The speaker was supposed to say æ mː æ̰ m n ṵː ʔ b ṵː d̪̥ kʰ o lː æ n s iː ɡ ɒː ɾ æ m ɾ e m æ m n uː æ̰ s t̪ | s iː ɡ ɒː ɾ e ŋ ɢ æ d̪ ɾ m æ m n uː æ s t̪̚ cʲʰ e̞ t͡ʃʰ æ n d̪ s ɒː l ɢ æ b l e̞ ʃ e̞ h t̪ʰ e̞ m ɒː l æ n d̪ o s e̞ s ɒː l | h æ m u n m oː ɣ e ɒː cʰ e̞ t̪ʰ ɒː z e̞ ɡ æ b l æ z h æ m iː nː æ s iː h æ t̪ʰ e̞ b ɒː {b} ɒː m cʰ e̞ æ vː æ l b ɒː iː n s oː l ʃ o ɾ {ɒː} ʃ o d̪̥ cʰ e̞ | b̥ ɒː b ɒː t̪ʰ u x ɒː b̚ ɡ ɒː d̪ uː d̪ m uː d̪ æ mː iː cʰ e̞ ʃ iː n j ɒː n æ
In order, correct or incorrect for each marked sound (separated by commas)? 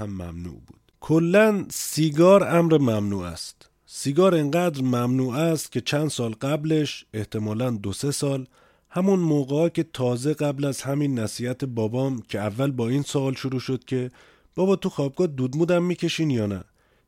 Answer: correct, incorrect